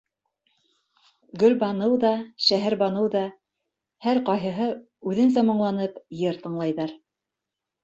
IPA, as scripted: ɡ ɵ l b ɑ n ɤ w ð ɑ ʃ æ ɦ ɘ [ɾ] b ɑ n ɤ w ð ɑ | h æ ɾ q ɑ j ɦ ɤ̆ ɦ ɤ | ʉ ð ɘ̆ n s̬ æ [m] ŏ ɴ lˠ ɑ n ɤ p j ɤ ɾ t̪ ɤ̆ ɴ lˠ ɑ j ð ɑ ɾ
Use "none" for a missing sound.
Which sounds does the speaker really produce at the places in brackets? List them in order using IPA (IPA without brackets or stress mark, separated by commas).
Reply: ɾ, m